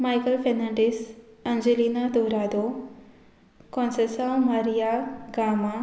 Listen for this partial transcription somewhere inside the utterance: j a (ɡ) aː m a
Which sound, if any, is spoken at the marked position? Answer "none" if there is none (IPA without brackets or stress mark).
ɡ